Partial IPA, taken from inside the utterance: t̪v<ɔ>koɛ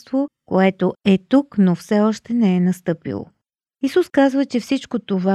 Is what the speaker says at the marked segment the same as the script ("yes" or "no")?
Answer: no